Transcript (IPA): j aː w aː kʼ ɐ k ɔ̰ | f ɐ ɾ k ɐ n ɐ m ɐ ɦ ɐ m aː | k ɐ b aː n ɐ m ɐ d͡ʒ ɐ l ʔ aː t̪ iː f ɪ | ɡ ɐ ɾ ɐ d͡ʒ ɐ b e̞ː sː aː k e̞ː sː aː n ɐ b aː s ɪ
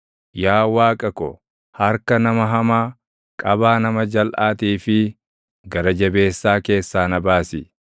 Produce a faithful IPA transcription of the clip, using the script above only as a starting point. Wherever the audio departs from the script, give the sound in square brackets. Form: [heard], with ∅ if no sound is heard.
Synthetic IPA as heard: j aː w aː kʼ ɐ k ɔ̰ | [h] ɐ ɾ k ɐ n ɐ m ɐ ɦ ɐ m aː | [kʼ] ɐ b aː n ɐ m ɐ d͡ʒ ɐ l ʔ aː t̪ iː f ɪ | ɡ ɐ ɾ ɐ d͡ʒ ɐ b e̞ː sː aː k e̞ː sː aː n ɐ b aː s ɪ